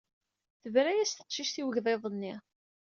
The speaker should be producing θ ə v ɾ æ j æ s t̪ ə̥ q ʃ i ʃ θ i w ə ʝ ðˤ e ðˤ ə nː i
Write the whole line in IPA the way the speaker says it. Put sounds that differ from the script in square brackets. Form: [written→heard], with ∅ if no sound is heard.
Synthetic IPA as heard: θ ə v ɾ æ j æ s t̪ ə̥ q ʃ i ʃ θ i w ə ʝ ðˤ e ðˤ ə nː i

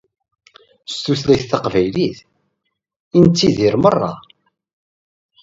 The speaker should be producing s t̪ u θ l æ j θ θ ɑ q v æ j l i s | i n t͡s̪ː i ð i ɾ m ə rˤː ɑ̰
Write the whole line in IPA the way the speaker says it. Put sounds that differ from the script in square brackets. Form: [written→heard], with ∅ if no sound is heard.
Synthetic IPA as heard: s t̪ u θ l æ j θ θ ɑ q v æ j l i [s→θ] | i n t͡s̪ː i ð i ɾ m ə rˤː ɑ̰

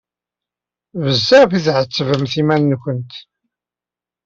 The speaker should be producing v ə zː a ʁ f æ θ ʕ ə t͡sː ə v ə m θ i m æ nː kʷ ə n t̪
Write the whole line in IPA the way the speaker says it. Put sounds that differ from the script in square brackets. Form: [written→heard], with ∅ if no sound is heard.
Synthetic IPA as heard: v ə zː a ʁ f [æ→i] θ ʕ ə t͡sː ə v ə m θ i m æ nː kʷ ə n t̪

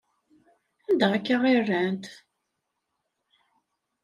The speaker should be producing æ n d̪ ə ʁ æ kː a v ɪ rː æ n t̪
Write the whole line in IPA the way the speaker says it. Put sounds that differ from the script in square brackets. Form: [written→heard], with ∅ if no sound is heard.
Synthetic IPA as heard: æ n d̪ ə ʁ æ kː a [v→ʁ] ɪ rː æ n t̪

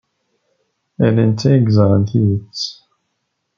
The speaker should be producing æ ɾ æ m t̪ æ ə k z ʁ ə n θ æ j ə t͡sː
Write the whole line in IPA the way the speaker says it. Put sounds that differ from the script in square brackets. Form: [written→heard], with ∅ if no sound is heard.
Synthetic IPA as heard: æ [ɾ→l] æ [m→n] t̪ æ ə [k→ɡ] z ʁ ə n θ [æ→i] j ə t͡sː

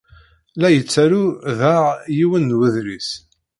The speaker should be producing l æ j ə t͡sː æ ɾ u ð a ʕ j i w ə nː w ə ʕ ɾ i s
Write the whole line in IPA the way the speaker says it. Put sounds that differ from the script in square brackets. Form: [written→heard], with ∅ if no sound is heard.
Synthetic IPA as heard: l æ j ə t͡sː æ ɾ u ð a [ʕ→ʁ] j i w ə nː w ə [ʕ→ð] ɾ i s

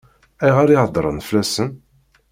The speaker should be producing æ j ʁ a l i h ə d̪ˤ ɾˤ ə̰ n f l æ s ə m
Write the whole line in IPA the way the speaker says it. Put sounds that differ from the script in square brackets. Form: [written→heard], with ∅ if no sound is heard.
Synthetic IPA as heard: æ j ʁ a [l→ɾ] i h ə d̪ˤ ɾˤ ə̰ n f l æ s ə [m→n]

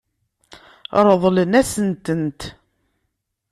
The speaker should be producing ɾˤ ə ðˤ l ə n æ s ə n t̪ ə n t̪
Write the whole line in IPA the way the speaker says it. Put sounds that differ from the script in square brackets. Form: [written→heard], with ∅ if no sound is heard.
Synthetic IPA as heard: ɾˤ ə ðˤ l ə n æ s ə n t̪ ə n t̪

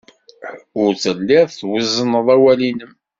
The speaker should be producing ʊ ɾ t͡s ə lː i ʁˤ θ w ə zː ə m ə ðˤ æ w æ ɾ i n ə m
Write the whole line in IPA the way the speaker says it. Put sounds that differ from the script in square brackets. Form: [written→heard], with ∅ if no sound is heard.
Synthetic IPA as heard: ʊ ɾ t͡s ə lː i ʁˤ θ w ə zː ə [m→n] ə ðˤ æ w æ [ɾ→l] i n ə m

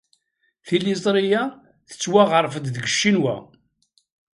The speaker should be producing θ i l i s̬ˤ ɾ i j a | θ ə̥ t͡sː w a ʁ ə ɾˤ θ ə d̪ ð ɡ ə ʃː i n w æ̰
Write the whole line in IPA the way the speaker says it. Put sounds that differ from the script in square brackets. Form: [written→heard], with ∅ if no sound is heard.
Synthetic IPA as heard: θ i l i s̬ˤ ɾ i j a | θ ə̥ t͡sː w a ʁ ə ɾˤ [θ→f] ə d̪ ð ɡ ə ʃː i n w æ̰

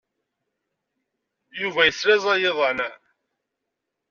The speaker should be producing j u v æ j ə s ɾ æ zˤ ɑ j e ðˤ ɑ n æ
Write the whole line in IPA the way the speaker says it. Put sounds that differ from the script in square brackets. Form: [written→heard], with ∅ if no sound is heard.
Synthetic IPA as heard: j u v æ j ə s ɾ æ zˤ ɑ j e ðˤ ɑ n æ

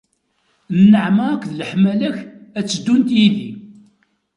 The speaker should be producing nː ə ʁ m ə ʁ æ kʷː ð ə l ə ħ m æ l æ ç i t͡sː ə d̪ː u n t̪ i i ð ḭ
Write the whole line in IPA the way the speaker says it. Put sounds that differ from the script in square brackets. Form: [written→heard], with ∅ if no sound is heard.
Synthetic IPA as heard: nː ə [ʁ→ʕ] m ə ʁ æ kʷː ð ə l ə ħ m æ l æ ç [i→æ] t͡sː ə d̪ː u n t̪ [i→j] i ð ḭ

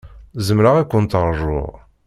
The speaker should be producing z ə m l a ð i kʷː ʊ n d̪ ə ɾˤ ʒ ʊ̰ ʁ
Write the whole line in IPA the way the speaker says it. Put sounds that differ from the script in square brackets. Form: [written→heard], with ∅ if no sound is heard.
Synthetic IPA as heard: z ə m [l→ɾ] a [ð→ʁ] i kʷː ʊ n [d̪→t̪] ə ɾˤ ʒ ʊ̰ ʁ

